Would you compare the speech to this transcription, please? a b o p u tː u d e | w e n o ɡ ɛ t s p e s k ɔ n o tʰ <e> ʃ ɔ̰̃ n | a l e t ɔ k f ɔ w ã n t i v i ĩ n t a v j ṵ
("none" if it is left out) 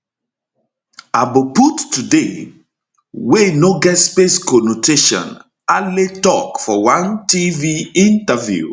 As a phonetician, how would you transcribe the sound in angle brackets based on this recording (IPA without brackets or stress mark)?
e